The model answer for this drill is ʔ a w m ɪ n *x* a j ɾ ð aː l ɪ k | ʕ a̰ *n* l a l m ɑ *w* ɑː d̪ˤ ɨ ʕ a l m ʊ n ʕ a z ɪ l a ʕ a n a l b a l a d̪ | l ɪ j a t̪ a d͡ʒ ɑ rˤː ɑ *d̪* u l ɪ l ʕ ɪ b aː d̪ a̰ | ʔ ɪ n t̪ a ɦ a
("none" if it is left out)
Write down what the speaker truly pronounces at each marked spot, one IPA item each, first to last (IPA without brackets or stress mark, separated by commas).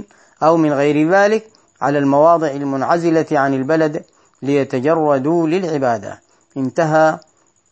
ɣ, none, w, d̪